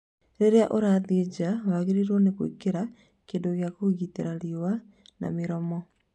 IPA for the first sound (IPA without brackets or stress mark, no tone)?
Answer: ɾ